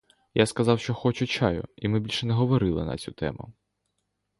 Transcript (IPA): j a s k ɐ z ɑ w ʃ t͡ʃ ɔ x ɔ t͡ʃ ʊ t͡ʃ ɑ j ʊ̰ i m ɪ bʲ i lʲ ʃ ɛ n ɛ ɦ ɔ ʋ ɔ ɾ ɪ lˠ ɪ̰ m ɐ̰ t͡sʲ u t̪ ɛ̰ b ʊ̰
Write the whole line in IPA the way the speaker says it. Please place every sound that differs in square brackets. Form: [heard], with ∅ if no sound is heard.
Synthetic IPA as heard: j a s k ɐ z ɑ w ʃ t͡ʃ ɔ x ɔ t͡ʃ ʊ t͡ʃ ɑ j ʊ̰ i m ɪ bʲ i lʲ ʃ ɛ n ɛ ɦ ɔ ʋ ɔ ɾ ɪ lˠ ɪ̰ [n] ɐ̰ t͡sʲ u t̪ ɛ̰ [m] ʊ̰